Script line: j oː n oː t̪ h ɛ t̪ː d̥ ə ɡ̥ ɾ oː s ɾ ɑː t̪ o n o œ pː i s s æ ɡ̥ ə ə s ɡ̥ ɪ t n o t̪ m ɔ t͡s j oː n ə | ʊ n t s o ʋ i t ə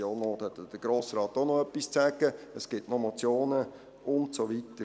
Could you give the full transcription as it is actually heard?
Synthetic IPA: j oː n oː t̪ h ɛ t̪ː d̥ ə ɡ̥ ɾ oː s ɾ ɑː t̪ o n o œ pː i s t͡s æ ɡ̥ ə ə s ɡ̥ ɪ t n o m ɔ t͡s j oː n ə | ʊ n t s o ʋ i t ə

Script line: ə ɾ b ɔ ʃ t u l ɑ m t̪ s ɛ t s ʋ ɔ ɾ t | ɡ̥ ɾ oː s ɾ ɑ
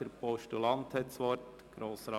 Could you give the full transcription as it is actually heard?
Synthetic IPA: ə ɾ p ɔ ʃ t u l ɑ n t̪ h ɛ t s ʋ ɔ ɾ t | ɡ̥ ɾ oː s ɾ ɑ

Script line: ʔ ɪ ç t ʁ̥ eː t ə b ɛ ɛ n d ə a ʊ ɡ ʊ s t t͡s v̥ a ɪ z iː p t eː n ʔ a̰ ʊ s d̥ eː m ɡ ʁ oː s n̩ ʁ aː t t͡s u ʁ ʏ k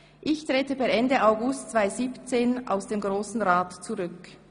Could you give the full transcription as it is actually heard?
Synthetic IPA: ʔ ɪ ç t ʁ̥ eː t ə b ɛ ɛ n d ə a ʊ ɡ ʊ s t t͡s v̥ a ɪ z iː p t͡s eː n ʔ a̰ ʊ s d̥ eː m ɡ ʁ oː s n̩ ʁ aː t t͡s u ʁ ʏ k

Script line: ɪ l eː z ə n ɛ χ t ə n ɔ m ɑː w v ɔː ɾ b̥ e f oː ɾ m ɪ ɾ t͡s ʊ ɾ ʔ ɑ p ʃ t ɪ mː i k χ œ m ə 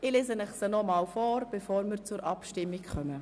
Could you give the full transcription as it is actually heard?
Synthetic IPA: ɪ l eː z ə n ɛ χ s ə n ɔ m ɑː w f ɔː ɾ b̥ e f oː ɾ m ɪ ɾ t͡s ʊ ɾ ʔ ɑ p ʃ t ɪ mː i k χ œ m ə

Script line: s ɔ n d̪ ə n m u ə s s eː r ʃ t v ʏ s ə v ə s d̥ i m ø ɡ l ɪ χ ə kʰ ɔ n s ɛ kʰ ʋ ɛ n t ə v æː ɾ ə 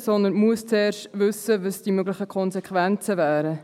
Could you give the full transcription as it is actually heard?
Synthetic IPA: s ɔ n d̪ ə n m u ə s t͡s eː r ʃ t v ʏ s ə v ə s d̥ i m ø ɡ l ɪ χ ə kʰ ɔ n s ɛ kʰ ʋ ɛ n t͡s ə v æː ɾ ə

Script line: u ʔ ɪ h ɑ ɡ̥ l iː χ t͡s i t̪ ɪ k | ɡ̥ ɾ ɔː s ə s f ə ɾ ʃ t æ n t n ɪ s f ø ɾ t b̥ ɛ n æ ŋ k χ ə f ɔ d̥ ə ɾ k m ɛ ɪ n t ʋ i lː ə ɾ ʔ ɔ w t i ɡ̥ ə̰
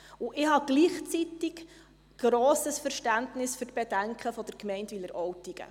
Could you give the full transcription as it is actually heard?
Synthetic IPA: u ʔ ɪ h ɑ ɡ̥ l iː χ t͡s i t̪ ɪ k | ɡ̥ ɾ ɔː s ə s f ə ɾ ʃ t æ n t n ɪ s f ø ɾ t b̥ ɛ d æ ŋ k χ ə f ɔ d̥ ə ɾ k m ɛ ɪ n t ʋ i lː ə ɾ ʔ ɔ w t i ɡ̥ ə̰

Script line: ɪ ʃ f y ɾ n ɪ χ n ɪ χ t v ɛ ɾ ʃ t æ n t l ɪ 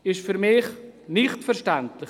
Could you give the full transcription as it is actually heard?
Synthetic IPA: ɪ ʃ f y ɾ m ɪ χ n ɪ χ t f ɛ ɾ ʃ t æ n t l ɪ

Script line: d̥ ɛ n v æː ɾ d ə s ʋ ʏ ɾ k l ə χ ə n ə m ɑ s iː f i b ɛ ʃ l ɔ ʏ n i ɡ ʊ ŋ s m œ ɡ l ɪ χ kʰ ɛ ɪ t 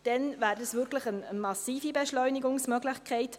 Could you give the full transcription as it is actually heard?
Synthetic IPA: d̥ ɛ n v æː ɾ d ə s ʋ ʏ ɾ k l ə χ ə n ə m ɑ s iː f i b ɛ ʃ l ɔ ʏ n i ɡ ʊ ŋ s m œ ɡ l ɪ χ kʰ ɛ ɪ t

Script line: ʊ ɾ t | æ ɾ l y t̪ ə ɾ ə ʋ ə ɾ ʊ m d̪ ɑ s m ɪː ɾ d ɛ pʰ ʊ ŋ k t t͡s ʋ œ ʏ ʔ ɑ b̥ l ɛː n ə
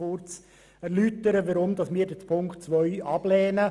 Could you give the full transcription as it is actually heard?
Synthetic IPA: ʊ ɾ t͡s | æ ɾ l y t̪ ə ɾ ə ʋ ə ɾ ʊ m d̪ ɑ s m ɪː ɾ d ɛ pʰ ʊ ŋ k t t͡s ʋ œ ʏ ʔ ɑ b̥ l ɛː n ə

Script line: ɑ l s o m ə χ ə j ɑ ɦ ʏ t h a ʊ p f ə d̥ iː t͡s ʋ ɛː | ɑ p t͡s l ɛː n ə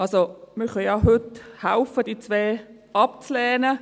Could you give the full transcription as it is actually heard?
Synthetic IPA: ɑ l s o m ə χ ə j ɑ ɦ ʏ t h a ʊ f ə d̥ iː t͡s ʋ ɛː | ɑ p t͡s l ɛː n ə

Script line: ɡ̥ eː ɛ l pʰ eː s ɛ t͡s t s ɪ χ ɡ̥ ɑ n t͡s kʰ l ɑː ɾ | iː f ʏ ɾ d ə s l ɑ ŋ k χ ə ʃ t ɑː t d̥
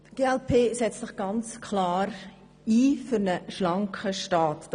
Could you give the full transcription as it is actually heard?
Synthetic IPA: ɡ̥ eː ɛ l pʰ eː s ɛ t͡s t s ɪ χ ɡ̥ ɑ n t͡s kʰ l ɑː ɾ | iː f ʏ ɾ n ə ʃ l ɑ ŋ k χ ə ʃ t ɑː t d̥

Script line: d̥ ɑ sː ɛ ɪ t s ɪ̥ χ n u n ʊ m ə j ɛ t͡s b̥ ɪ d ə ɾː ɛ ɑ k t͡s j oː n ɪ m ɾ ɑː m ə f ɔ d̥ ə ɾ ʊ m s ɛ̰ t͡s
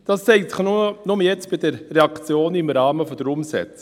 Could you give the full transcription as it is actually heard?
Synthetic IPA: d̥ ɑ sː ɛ ɪ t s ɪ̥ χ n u n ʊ m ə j ɛ t͡s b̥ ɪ d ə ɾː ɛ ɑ k t͡s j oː n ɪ m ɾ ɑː m ə f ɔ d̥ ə ɾ ʊ m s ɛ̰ t͡s

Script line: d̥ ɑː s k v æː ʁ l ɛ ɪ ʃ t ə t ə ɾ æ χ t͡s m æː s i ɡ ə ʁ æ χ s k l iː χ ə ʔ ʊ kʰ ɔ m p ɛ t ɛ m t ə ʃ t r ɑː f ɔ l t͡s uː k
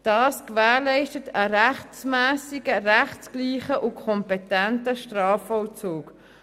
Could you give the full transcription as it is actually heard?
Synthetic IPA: d̥ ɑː s k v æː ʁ l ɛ ɪ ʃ t ə t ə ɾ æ χ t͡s m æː s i ɡ ə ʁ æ χ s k l iː χ ə ʔ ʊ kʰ ɔ m p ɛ t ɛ n t ə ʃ t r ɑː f ɔ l t͡s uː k

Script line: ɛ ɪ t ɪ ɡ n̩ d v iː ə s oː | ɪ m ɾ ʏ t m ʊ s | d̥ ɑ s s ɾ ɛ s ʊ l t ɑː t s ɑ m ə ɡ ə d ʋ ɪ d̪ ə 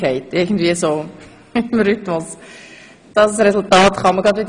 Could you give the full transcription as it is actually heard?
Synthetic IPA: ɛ ɪ t ɪ ɡ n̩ d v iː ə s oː | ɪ m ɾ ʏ t m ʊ s | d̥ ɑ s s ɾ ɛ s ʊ l t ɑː t χ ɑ m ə ɡ ɑ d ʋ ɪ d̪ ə

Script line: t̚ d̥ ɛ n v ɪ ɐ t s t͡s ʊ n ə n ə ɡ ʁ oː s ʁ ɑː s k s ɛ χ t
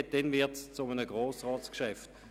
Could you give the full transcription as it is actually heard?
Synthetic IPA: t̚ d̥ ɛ n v ɪ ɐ t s t͡s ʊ m ə n ə ɡ ʁ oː s ʁ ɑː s k ʃ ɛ f t

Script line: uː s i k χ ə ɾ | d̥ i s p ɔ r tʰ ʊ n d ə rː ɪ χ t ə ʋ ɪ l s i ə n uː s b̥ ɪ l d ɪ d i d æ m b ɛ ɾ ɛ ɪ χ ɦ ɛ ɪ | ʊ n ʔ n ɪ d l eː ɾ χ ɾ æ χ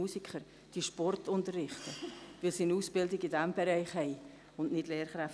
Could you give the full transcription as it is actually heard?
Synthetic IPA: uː s i k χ ə ɾ | d̥ i ʃ p ɔ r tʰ ʊ n t ə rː ɪ χ t ə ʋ ɪ l s i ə n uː s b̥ ɪ l d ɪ ɡ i d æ m b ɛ ɾ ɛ ɪ χ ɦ ɛ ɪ | ʊ n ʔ n ɪ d l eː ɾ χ ɾ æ f

